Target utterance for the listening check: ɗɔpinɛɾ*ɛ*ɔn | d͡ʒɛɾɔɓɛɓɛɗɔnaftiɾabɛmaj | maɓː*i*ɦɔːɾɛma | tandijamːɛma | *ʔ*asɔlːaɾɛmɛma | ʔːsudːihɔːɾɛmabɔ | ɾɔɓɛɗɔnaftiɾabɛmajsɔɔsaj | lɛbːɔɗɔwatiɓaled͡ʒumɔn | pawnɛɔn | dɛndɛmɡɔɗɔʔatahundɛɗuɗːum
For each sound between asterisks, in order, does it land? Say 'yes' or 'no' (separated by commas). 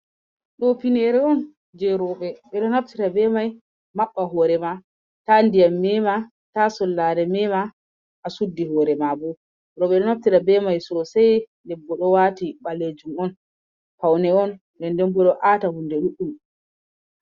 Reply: yes, no, no